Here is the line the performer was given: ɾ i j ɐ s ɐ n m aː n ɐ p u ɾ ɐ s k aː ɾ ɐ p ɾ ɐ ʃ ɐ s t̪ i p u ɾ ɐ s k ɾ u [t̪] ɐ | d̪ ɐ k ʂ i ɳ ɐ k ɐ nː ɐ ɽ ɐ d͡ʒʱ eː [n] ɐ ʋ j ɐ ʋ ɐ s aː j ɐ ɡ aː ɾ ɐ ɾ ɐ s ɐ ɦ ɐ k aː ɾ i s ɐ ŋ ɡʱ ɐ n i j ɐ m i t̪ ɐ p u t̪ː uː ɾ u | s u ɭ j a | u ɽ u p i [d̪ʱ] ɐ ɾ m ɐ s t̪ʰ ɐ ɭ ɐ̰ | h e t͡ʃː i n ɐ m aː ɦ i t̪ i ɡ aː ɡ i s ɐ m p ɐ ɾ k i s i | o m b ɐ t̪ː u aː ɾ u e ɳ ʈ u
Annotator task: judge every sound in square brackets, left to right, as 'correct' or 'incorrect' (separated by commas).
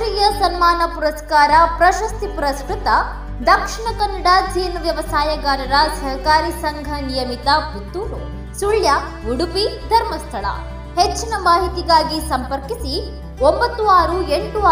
correct, correct, correct